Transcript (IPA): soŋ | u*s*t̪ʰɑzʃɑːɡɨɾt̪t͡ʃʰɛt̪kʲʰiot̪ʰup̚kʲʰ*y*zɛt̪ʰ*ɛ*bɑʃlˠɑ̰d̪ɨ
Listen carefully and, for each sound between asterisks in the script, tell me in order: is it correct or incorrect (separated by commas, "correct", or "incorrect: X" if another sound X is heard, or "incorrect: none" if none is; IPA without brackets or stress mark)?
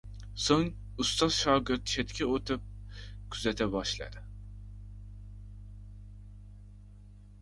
correct, correct, correct